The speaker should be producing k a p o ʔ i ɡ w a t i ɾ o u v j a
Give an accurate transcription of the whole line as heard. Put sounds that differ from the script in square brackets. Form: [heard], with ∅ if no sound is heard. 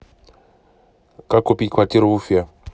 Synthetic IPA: k a [k] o [p] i [k] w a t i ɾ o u [f] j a